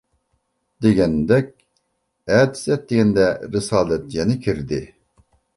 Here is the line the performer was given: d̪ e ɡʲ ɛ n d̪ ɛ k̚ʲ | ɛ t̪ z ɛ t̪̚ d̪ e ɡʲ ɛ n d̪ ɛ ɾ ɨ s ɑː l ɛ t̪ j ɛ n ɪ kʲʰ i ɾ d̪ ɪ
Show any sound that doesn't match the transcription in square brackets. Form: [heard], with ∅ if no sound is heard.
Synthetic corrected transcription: d̪ e ɡʲ ɛ n d̪ ɛ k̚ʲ | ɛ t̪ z ɛ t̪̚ d̪ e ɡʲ ɛ n d̪ ɛ ɾ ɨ s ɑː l ɛ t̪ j ɛ n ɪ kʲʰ i ɾ d̪ ɪ